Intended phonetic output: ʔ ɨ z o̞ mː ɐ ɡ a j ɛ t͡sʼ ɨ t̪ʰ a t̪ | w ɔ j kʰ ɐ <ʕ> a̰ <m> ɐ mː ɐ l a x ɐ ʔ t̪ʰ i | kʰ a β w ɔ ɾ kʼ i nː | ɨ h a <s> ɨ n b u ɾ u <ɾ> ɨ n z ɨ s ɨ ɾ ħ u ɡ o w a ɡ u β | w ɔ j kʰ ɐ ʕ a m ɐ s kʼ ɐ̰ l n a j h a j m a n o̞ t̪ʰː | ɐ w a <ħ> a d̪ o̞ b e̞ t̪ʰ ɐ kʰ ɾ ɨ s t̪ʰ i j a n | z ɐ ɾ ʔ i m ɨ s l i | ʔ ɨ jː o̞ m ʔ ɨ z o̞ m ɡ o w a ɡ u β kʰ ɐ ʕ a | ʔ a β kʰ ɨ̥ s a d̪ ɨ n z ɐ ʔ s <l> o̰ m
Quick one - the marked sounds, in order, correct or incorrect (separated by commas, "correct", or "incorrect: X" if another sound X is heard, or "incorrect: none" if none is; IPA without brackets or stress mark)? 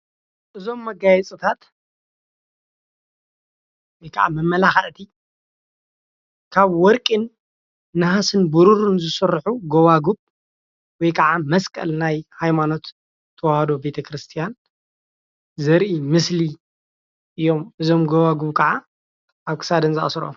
correct, correct, correct, correct, incorrect: h, incorrect: ɾ